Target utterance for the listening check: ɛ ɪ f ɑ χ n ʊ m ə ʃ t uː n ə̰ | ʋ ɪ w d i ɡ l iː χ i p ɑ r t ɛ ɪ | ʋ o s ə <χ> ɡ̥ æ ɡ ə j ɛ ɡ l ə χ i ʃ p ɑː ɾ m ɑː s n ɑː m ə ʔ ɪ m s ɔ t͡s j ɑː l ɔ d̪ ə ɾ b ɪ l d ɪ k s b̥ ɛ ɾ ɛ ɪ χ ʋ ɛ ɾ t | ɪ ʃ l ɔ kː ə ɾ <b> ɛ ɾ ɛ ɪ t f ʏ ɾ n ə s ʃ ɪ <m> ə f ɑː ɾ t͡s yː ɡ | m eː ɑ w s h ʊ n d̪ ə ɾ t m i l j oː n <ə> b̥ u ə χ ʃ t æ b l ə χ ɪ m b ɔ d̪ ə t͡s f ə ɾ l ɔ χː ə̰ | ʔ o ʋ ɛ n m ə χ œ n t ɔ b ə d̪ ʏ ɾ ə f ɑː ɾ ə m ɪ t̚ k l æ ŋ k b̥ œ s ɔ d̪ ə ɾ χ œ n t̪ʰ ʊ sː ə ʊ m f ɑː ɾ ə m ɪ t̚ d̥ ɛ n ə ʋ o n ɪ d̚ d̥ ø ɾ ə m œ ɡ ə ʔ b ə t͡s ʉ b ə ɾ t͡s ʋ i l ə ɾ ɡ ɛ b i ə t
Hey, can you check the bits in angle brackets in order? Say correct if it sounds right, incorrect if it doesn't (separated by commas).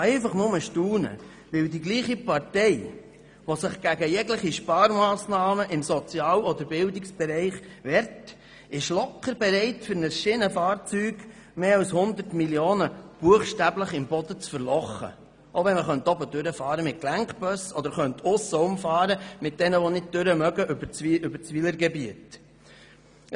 correct, correct, incorrect, correct